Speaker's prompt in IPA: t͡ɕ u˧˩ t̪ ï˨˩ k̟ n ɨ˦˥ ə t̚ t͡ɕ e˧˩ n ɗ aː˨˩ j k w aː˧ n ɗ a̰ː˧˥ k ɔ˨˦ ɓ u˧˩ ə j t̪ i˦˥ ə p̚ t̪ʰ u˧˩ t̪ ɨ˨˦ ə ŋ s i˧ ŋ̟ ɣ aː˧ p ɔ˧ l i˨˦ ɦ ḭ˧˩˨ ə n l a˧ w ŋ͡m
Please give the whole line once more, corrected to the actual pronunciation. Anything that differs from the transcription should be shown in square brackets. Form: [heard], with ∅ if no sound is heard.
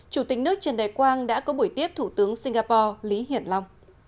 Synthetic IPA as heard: t͡ɕ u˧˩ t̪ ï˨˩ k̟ n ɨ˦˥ ə [k̚] t͡ɕ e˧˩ n ɗ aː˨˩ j k w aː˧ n ɗ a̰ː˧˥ k ɔ˨˦ ɓ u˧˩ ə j t̪ i˦˥ ə p̚ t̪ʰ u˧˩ t̪ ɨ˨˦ ə ŋ s i˧ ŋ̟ ɣ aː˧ p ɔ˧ l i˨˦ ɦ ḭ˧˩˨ ə n l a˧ w ŋ͡m